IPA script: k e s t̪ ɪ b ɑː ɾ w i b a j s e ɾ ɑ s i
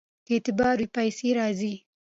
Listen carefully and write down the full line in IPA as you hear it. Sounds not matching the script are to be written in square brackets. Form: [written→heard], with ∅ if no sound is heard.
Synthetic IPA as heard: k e [s→∅] t̪ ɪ b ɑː ɾ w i [b→p] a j s e ɾ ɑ [s→z] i